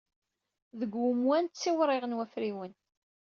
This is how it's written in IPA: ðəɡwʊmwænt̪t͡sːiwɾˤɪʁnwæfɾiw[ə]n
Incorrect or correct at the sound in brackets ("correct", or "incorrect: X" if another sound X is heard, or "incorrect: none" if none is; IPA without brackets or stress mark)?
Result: correct